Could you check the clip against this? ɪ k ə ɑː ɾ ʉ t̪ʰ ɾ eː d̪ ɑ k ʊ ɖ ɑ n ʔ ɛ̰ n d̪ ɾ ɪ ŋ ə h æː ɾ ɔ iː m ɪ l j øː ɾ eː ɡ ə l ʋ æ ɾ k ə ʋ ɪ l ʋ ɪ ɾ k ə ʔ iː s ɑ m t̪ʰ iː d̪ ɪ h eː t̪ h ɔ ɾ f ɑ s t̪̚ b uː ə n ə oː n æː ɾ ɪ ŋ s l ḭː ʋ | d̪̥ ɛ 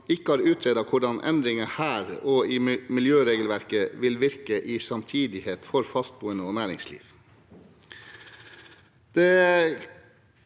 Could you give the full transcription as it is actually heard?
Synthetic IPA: ɪ k ə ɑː ɾ ʉː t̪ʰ ɾ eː d̪ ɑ kʰ ʊ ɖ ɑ n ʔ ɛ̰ n d̪ ɾ ɪ ŋ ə h æː ɾ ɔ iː m ɪ l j øː ɾ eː ɡ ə l ʋ æ ɾ k ə ʋ ɪ l ʋ ɪ ɾ k ə ʔ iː s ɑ m t̪ʰ iː d̪ ɪ h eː t̪ f ɔ ɾ f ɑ s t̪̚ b uː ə n ə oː n æː ɾ ɪ ŋ s l ḭː ʋ | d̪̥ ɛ